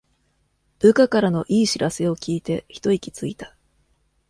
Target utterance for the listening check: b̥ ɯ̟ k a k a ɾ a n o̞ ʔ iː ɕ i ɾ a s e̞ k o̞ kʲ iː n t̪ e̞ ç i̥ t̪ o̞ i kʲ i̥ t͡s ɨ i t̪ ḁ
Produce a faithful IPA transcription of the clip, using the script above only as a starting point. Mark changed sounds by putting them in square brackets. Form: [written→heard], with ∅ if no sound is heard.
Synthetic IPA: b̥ ɯ̟ k a k a ɾ a n o̞ ʔ iː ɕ i ɾ a s e̞ [k→∅] o̞ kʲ iː [n→∅] t̪ e̞ ç i̥ t̪ o̞ i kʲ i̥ t͡s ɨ i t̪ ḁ